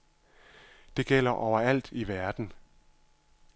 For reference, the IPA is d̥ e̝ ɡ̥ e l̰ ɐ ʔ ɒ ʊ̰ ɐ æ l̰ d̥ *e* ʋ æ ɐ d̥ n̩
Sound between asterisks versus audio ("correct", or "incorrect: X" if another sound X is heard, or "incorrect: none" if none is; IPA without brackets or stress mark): incorrect: i